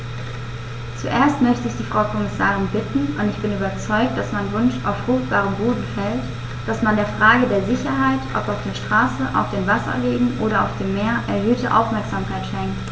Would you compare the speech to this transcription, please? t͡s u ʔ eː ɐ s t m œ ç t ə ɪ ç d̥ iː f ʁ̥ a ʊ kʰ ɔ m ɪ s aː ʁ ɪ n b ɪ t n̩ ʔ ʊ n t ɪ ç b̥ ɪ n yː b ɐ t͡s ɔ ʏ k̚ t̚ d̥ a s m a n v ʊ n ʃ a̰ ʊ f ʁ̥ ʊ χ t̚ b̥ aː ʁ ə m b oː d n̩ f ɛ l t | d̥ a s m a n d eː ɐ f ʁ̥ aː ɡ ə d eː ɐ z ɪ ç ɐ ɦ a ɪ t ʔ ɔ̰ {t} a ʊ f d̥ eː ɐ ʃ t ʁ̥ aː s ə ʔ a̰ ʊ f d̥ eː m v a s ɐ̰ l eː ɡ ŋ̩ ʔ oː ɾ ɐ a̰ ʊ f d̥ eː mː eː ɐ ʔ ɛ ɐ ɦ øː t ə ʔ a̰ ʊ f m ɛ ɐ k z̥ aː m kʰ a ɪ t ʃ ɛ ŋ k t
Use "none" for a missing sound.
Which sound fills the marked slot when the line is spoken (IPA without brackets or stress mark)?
p